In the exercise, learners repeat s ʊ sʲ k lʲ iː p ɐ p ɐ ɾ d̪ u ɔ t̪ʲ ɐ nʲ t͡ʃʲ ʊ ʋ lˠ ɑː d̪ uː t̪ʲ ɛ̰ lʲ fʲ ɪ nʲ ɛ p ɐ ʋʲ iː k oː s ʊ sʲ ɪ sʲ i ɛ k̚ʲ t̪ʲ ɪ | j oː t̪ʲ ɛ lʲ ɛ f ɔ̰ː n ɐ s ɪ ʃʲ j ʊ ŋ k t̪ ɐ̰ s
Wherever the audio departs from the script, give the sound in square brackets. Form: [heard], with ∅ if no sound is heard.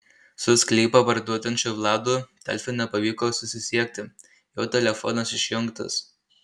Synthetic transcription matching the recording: s ʊ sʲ k lʲ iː p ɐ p ɐ ɾ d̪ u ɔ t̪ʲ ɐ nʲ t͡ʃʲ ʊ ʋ lˠ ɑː d̪ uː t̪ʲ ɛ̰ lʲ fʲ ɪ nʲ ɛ p ɐ ʋʲ iː k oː s ʊ sʲ ɪ sʲ i ɛ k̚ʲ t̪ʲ ɪ | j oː t̪ʲ ɛ lʲ ɛ f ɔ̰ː n ɐ s ɪ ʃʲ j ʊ ŋ k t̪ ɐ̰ s